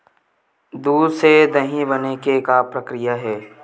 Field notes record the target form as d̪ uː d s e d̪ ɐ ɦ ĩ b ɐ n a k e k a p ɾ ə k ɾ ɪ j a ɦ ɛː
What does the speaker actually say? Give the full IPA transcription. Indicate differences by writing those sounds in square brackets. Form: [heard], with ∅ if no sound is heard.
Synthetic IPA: d̪ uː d s e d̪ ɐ ɦ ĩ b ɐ n [e] k e k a p ɾ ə k ɾ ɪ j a ɦ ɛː